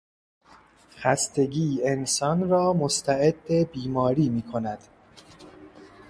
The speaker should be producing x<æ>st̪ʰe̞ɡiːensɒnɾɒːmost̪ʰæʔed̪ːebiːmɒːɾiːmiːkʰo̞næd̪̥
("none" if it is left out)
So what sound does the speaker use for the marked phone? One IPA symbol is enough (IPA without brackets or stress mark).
æ